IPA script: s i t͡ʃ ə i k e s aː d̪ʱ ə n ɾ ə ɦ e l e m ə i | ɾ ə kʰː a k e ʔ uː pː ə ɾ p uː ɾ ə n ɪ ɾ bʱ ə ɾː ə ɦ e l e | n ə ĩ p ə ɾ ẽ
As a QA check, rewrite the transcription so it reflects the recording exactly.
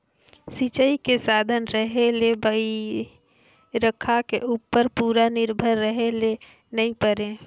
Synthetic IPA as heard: s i t͡ʃ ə i k e s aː d̪ʱ ə n ɾ ə ɦ e l e b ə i | ɾ ə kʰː a k e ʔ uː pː ə ɾ p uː ɾ a n ɪ ɾ bʱ ə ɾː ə ɦ e l e | n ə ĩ p ə ɾ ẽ